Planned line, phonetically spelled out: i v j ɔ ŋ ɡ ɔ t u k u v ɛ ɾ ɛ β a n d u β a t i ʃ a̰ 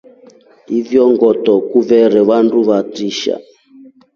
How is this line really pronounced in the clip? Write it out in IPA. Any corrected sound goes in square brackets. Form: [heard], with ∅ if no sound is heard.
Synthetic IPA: i v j ɔ ŋ ɡ ɔ t [ɔ] k u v ɛ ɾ ɛ β a n d u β a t i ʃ a̰